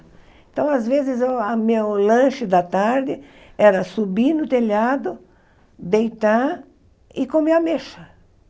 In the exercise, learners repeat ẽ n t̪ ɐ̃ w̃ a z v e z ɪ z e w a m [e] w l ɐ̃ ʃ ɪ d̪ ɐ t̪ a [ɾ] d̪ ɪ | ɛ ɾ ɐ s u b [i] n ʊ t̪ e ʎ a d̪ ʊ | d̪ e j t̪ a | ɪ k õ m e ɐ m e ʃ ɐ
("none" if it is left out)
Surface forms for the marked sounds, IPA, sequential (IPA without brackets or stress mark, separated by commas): e, ɾ, i